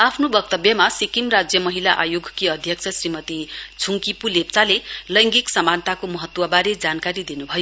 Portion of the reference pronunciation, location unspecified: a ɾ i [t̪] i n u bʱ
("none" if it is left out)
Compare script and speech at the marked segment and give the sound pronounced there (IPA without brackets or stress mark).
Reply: d̪